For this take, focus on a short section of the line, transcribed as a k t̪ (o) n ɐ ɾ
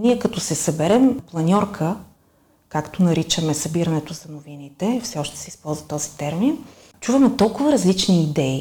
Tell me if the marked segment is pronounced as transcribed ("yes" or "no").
yes